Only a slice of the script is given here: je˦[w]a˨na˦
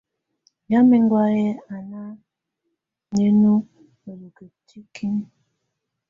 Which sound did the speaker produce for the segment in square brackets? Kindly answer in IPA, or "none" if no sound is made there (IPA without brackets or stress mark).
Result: none